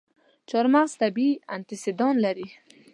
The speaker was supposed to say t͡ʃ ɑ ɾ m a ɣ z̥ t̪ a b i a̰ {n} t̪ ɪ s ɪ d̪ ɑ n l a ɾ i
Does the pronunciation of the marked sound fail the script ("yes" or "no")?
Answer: no